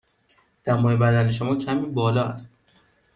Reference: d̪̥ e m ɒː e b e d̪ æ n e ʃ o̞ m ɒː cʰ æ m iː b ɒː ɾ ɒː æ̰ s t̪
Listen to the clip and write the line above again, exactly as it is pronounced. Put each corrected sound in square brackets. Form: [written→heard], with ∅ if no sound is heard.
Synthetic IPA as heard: d̪̥ [e→æ] m ɒː e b [e→æ] d̪ æ n e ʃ o̞ m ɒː cʰ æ m iː b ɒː [ɾ→l] ɒː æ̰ s t̪